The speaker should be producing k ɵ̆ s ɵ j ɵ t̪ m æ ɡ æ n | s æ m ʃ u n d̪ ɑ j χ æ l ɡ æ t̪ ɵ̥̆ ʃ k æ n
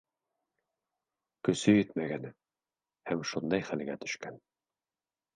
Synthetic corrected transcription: k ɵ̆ s ɵ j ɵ t̪ m æ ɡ æ n | h æ m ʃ u n d̪ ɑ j χ æ l ɡ æ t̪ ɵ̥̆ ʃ k æ n